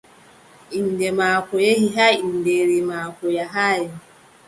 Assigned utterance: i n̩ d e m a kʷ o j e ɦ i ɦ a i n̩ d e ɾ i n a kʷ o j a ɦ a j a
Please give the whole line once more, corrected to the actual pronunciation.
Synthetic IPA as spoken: i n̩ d e m a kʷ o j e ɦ i ɦ a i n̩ d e ɾ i m a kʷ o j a ɦ a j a